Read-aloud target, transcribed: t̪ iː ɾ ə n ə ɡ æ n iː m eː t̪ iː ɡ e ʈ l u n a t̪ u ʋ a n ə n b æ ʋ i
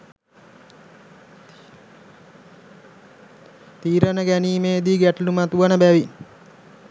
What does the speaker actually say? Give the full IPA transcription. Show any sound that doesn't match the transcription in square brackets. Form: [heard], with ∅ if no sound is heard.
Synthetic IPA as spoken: t̪ iː ɾ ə n ə ɡ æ n iː m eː [d̪] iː ɡ [æ] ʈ l u [m] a t̪ u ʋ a n ə [∅] b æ ʋ i